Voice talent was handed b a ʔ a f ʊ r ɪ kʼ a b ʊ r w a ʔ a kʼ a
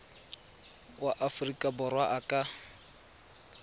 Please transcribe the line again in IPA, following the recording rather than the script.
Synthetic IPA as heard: w a ʔ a f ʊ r i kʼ a b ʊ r w a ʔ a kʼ a